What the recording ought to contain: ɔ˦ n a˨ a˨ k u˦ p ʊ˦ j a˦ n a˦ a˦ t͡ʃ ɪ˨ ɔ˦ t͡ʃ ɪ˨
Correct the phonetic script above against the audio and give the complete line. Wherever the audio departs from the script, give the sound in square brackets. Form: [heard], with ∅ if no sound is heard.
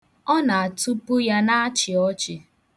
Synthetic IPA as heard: ɔ˦ n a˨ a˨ [t] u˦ p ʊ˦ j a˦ n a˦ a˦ t͡ʃ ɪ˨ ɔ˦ t͡ʃ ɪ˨